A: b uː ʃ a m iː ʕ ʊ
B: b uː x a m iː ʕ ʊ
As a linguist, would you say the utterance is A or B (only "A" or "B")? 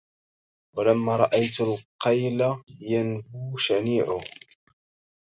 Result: A